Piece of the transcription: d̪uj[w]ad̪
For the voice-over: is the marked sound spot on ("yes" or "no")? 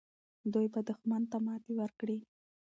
no